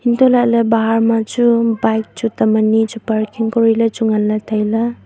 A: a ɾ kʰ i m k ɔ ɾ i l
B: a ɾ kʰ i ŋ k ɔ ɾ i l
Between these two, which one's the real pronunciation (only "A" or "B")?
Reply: B